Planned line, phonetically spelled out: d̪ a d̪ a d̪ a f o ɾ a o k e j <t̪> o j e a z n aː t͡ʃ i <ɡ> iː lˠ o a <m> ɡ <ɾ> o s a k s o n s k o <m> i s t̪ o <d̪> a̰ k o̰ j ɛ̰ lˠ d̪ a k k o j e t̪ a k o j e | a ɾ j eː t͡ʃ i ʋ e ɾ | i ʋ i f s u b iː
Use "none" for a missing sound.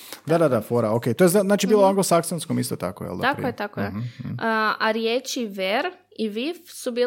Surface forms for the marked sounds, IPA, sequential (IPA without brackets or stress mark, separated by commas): t̪, b, ŋ, l, m, t̪